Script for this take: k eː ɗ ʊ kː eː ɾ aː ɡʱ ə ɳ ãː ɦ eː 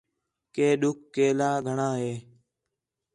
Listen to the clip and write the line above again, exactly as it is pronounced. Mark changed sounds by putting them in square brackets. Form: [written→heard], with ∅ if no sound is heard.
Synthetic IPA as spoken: k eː ɗ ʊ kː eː [ɾ→l] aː ɡʱ ə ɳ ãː ɦ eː